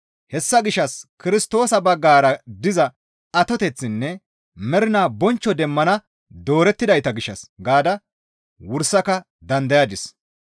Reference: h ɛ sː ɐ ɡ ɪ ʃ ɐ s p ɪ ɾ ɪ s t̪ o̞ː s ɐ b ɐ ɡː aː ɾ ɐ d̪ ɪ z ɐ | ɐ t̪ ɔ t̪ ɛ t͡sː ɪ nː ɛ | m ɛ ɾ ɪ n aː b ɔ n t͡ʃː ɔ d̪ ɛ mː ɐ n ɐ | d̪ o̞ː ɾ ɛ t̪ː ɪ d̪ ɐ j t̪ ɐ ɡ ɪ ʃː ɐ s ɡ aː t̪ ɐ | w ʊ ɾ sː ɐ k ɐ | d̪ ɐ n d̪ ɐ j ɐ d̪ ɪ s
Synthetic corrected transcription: h ɛ sː ɐ ɡ ɪ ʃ ɐ s k ɪ ɾ ɪ s t̪ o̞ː s ɐ b ɐ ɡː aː ɾ ɐ d̪ ɪ z ɐ | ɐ t̪ ɔ t̪ ɛ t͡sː ɪ nː ɛ | m ɛ ɾ ɪ n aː b ɔ n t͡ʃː ɔ d̪ ɛ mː ɐ n ɐ | d̪ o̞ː ɾ ɛ t̪ː ɪ d̪ ɐ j t̪ ɐ ɡ ɪ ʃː ɐ s ɡ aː d̪ ɐ | w ʊ ɾ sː ɐ k ɐ | d̪ ɐ n d̪ ɐ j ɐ d̪ ɪ s